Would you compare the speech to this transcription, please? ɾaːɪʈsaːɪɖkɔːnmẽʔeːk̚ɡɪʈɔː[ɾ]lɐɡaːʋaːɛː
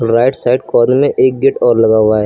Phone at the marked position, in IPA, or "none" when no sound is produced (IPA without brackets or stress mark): ɾ